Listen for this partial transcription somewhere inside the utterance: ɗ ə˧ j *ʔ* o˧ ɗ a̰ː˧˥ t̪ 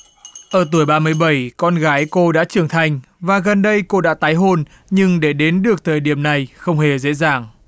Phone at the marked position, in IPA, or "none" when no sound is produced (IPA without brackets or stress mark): k